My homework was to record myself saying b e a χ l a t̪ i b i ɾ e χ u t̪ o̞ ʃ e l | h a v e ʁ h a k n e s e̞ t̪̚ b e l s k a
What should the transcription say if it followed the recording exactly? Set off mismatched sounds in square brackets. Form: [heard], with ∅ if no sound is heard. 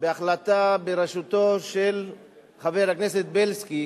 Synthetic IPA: b e a χ l a t̪ [a] b [e] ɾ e [ʃ] u t̪ o̞ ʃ e l | [χ] a v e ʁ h a k n e s e̞ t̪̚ b e l s k [i]

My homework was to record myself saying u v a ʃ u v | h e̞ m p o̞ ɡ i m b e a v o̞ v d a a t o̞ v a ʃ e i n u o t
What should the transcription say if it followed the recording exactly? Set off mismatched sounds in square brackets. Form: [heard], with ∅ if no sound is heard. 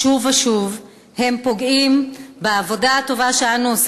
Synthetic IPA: u v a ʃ u v | h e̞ m p o̞ ɡ i m b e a v o̞ [∅] d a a t o̞ v a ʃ e [a] n u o [s]

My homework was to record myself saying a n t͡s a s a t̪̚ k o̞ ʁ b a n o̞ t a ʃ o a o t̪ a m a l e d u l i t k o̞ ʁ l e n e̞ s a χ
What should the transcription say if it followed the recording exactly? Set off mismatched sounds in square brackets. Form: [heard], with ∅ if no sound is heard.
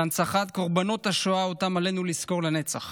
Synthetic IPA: a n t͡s a [χ] a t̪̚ k o̞ ʁ b a n o̞ t a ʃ o a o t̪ a m a l e [n] u l i [s] k o̞ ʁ l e n e̞ [t͡s] a χ

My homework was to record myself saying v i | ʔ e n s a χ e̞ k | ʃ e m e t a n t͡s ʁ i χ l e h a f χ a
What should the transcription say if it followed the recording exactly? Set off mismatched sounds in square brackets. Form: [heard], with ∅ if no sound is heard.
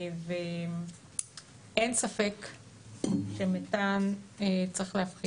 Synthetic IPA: v [e] | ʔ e n s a [f] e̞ k | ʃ e m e t a n t͡s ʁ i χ l e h a f χ [i]

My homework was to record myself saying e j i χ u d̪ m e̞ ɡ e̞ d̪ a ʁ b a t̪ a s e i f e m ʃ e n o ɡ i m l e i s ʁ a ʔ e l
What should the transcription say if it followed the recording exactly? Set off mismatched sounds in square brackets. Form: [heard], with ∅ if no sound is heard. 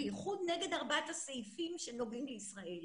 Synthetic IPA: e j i χ u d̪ [n] e̞ ɡ e̞ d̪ a ʁ b a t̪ a s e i f [i] m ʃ e n o ɡ i m l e i s ʁ a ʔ e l

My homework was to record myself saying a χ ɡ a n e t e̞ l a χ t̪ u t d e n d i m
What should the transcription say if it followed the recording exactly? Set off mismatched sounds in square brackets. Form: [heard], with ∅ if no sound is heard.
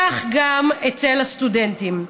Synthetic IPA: a χ ɡ a [m] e [t͡s] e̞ l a [s] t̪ u [∅] d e n [t] i m

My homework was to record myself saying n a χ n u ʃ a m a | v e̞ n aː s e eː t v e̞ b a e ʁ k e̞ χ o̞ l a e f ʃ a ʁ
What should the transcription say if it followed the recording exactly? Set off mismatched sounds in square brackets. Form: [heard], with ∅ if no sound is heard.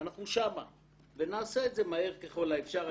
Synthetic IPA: n a χ n u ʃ a m a | v e̞ n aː s e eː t [z] e̞ [m] a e ʁ k e̞ χ o̞ l a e f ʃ a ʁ

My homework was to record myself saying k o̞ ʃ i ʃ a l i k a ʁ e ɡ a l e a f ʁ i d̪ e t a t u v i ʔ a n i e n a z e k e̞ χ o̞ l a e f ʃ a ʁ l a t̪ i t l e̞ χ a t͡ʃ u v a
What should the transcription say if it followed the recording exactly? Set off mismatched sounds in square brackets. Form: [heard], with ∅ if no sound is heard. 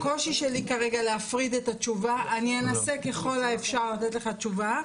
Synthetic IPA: k o̞ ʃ i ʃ [e] l i k a ʁ e ɡ a l e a f ʁ i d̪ e t a [t͡ʃ] u v [a] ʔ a n i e n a [s] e k e̞ χ o̞ l a e f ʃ a ʁ l a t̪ [e] t l e̞ χ a t͡ʃ u v a

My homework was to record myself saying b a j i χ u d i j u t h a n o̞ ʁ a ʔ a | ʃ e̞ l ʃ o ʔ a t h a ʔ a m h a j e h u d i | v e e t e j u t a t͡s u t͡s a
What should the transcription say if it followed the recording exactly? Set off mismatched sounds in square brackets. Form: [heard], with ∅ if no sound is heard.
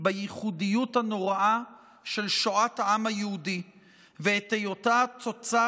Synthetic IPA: b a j i χ u d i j u t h a n o̞ ʁ a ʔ a | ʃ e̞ l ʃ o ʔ a t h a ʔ a m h a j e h u d i | v e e t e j [o] t a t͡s [o] t͡s a

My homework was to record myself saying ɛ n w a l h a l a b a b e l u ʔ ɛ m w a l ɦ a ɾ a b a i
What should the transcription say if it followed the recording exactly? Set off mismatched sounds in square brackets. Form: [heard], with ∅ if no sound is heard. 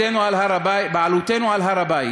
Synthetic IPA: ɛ n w a l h a [ɾ] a b a b [a] l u [t] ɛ [n] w a l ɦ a ɾ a b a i

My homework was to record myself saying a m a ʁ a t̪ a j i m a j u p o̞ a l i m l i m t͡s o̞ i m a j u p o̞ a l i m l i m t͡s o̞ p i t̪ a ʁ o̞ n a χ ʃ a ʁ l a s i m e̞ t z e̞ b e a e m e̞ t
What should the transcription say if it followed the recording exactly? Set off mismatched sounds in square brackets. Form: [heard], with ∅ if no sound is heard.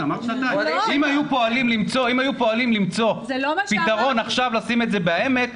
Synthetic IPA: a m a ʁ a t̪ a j i m a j u p o̞ a l i m l i m t͡s o̞ i m a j u p o̞ a l i m l i m t͡s o̞ p i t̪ a ʁ o̞ n a χ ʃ a [v] l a s i m e̞ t z e̞ b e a e m e̞ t

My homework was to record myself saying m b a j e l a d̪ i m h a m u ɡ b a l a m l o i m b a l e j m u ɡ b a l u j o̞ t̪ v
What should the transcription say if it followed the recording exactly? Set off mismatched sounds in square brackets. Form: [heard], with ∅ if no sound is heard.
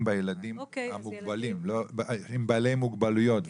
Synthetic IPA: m b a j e l a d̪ i m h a m u ɡ b a l [i] m l o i m b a l e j m u ɡ b a l u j o̞ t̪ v

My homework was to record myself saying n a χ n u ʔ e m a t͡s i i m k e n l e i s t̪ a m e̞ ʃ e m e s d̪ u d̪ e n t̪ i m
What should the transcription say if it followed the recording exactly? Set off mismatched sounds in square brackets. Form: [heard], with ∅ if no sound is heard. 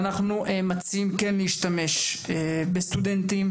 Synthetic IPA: n a χ n u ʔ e m a t͡s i i m k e n l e i [ʃ] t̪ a m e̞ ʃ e [b] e s [t̪] u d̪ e n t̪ i m

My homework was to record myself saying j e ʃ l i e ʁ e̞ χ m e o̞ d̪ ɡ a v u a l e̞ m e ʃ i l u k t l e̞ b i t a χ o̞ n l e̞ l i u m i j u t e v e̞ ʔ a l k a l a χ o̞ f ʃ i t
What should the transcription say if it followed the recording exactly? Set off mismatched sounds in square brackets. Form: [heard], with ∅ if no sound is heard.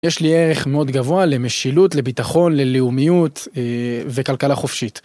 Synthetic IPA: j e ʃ l i e ʁ e̞ χ m e o̞ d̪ ɡ a v [o] a l e̞ m e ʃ i l u [∅] t l e̞ b i t a χ o̞ n l e̞ l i u m i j u t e v e̞ [k] a l k a l a χ o̞ f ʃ i t

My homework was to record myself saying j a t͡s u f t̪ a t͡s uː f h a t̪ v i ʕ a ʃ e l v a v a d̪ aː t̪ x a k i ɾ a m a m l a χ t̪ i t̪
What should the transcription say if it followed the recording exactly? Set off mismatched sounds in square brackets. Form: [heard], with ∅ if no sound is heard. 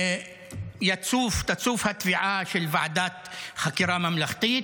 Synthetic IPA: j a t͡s u f t̪ a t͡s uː f h a t̪ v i ʕ a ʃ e l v a [ʕ] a d̪ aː t̪ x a k i ɾ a m a m l a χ t̪ i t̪

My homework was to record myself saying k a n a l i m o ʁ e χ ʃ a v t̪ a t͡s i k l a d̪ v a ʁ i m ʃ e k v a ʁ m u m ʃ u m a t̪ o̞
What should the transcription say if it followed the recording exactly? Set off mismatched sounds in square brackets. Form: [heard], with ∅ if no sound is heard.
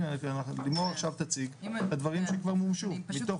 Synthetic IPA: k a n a l i m o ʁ [a] χ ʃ a v t̪ a t͡s i [ɡ] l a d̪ v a ʁ i m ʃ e k v a ʁ m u m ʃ u m [i] t̪ o̞

